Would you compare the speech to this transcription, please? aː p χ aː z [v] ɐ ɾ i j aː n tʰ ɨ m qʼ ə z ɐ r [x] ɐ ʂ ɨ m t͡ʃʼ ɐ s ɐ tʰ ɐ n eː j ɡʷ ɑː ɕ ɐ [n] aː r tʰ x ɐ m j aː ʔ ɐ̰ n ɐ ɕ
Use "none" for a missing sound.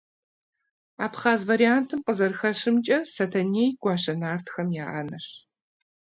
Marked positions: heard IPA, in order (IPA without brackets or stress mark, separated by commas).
v, x, n